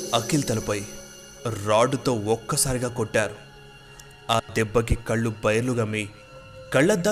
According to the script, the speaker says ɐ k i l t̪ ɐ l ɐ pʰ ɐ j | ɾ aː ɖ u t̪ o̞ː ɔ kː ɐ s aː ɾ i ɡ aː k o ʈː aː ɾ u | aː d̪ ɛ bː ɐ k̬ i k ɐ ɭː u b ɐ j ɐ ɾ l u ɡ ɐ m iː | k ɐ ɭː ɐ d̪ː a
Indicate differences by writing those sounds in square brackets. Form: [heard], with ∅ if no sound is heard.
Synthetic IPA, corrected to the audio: ɐ k i l t̪ ɐ l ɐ [p] ɐ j | ɾ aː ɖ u t̪ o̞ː ɔ kː ɐ s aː ɾ i ɡ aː k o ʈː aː ɾ u | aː d̪ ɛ bː ɐ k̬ i k ɐ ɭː u b ɐ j ɐ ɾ l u ɡ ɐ m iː | k ɐ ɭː ɐ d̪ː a